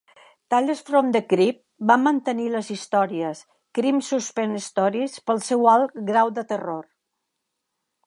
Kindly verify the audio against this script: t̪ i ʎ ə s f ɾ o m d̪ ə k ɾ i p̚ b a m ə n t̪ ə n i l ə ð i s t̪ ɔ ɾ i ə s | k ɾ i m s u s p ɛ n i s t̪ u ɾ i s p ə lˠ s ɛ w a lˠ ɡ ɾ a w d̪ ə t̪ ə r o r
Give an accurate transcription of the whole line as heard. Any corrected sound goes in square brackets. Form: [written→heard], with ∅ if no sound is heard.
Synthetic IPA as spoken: t̪ [i→a] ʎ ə s f ɾ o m d̪ ə k ɾ i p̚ b a m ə n t̪ ə n i l ə [ð→z] i s t̪ ɔ ɾ i ə s | k ɾ i m s u s p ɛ n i s t̪ [u→ɔ] ɾ i s p ə lˠ s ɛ w a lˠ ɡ ɾ a w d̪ ə t̪ ə r o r